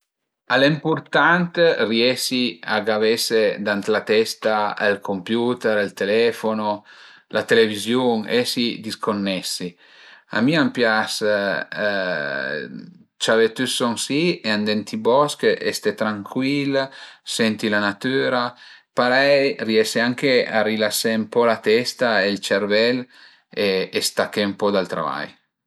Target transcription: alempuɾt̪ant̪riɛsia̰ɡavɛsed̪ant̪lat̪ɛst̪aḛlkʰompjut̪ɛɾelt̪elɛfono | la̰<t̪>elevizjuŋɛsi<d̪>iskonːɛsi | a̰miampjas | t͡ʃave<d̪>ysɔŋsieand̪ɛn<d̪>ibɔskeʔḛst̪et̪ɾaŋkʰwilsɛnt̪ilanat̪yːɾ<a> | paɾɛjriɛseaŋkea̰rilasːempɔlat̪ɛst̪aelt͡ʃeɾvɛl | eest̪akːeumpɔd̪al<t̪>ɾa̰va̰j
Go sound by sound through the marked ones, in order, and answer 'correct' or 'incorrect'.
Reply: correct, correct, incorrect: t̪, incorrect: t̪, correct, correct

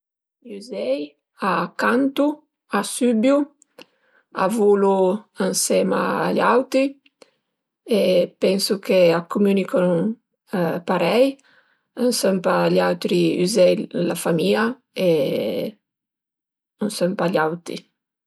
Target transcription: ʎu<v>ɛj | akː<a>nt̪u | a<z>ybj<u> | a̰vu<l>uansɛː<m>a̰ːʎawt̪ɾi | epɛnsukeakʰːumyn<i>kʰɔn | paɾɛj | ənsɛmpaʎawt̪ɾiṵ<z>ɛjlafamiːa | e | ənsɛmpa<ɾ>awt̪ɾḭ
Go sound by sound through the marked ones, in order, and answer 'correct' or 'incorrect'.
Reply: incorrect: z, correct, incorrect: s, correct, correct, correct, correct, correct, incorrect: ʎ

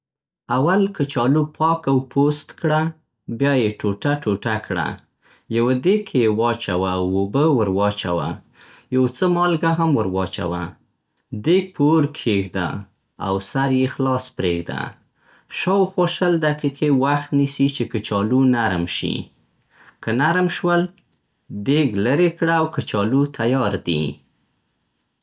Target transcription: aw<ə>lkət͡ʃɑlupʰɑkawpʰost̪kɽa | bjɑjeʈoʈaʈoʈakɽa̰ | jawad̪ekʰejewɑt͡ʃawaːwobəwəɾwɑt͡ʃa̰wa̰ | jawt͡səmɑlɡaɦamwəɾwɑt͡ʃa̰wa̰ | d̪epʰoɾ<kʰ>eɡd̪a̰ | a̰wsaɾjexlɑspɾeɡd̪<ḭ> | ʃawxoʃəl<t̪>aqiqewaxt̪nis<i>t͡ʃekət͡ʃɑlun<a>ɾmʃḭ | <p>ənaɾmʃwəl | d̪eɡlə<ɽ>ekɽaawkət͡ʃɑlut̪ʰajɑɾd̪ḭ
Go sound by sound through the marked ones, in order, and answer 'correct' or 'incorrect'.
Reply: incorrect: a, correct, incorrect: a̰, incorrect: d̪, correct, correct, incorrect: k, incorrect: ɾ

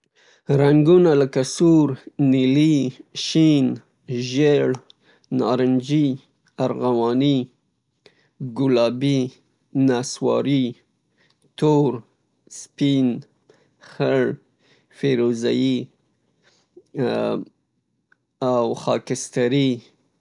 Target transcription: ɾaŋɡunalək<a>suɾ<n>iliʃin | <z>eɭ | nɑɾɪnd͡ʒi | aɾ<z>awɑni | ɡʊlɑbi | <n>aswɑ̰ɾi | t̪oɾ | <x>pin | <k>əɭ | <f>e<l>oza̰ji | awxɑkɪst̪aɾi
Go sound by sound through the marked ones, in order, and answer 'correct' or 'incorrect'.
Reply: correct, correct, incorrect: ʒ, incorrect: ɣ, correct, incorrect: s, incorrect: x, correct, incorrect: ɾ

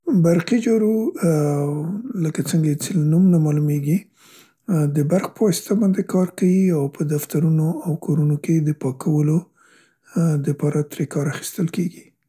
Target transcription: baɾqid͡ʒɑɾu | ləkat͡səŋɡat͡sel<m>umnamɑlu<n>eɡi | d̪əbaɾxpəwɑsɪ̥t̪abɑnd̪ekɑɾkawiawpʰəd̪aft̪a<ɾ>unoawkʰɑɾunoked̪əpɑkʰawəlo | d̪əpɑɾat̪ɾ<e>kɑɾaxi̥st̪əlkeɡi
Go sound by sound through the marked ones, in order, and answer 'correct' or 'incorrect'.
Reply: incorrect: n, incorrect: m, correct, correct

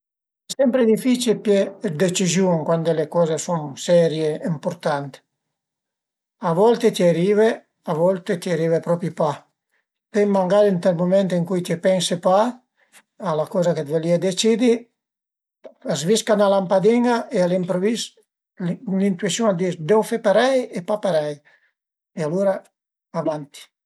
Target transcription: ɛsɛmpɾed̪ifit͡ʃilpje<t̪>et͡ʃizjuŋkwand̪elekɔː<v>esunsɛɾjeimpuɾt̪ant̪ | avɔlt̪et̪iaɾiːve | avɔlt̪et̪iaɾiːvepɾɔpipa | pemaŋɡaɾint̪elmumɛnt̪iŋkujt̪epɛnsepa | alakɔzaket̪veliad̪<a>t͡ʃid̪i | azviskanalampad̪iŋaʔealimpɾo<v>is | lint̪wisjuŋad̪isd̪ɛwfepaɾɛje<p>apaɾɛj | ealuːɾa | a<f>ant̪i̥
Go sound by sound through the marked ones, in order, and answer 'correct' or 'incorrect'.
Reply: incorrect: d̪, incorrect: z, incorrect: e, correct, correct, incorrect: v

